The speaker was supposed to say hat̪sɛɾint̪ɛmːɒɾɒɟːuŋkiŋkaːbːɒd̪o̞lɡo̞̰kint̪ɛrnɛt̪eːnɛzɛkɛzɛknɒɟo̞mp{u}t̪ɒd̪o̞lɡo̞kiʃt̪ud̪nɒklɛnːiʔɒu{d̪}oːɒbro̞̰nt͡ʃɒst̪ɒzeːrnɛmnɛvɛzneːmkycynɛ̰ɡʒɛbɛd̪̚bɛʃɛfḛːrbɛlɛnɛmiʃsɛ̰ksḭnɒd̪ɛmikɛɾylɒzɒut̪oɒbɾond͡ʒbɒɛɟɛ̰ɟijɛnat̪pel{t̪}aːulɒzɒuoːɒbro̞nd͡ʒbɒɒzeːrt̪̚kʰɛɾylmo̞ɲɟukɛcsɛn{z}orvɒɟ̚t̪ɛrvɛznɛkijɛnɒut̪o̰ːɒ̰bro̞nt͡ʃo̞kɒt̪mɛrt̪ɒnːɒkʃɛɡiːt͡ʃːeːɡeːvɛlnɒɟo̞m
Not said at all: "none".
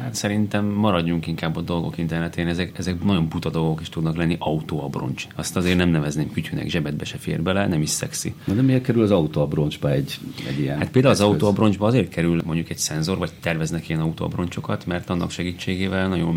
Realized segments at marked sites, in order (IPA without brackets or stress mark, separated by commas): u, t̪, d̪, z